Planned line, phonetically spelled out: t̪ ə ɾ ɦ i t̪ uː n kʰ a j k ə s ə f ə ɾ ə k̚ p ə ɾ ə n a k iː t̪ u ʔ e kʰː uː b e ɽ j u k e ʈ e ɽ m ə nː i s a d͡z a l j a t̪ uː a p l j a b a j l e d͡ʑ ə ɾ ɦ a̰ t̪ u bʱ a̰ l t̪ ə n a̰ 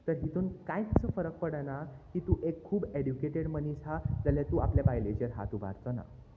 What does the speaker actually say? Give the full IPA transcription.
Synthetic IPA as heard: t̪ ə ɾ ɦ i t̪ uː n k a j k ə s ə f ə ɾ ə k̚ p ə ɽ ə n a k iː t̪ u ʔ e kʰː uː b e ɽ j u k e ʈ e ɽ m ə n i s a d͡z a l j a t̪ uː a p l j a b a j l e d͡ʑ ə ɾ ɦ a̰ t̪ u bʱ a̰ ɾ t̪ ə n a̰